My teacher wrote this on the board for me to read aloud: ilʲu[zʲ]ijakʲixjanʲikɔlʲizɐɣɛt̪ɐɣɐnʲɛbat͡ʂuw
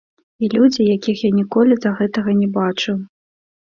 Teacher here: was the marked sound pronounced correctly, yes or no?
no